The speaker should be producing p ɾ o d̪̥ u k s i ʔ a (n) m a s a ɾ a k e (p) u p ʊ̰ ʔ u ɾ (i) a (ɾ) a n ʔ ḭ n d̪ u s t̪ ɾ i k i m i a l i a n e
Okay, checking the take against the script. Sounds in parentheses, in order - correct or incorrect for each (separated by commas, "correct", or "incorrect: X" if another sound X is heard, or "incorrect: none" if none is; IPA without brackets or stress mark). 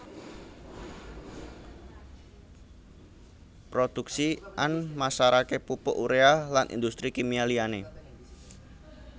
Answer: correct, correct, incorrect: e, incorrect: l